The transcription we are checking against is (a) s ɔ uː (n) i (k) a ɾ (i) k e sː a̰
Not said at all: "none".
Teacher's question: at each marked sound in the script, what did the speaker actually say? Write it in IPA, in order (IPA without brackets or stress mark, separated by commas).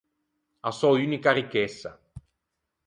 a, n, k, i